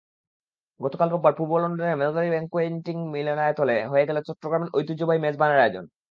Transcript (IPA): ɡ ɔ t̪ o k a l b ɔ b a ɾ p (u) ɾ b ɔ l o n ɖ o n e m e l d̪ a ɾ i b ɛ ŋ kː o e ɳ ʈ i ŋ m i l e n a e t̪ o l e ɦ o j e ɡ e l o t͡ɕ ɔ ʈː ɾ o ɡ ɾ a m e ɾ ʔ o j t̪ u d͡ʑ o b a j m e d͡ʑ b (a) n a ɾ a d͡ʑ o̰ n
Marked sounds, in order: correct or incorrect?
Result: correct, correct

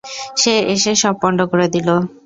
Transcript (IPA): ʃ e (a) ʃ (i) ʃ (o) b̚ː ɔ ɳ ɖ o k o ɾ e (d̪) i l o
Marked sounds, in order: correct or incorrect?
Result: incorrect: e, incorrect: e, incorrect: ɔ, correct

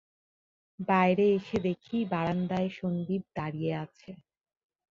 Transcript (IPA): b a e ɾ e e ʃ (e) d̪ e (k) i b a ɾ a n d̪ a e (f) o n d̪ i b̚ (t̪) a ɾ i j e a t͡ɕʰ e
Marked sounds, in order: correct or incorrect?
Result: correct, incorrect: kʰ, incorrect: ʃ, incorrect: d̪

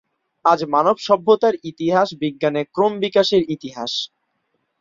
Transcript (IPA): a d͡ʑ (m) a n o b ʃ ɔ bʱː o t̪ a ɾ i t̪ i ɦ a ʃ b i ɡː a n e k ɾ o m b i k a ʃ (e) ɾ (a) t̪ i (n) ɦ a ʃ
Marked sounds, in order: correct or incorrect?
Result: correct, correct, incorrect: i, incorrect: none

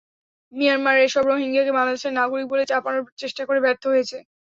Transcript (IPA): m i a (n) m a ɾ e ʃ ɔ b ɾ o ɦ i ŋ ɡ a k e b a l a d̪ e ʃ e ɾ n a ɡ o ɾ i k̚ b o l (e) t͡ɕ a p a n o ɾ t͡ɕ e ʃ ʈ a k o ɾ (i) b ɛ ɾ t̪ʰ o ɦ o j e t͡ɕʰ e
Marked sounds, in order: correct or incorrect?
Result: correct, correct, incorrect: e

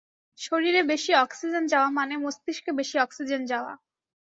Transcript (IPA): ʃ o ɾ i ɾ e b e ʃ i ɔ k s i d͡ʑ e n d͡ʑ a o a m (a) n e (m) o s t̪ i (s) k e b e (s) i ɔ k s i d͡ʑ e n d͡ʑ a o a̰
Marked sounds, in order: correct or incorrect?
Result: correct, correct, incorrect: ʃ, incorrect: ʃ

